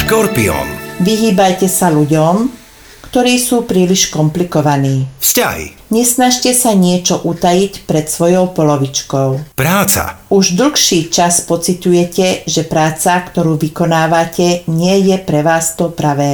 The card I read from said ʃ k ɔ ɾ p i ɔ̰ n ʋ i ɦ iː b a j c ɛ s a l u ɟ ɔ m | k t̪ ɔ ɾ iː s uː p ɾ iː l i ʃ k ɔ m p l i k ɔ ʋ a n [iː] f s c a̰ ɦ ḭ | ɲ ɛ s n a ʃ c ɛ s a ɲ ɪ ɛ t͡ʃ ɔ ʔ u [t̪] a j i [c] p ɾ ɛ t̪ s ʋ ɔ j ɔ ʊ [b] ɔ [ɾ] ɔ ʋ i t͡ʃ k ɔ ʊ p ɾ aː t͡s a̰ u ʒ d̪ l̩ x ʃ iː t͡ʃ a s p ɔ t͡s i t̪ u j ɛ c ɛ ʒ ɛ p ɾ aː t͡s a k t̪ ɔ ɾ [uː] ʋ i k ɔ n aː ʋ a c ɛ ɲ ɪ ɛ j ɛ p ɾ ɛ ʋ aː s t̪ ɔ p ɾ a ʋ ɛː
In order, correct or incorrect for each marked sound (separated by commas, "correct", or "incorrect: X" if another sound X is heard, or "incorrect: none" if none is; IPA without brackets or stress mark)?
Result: correct, correct, correct, incorrect: p, incorrect: l, correct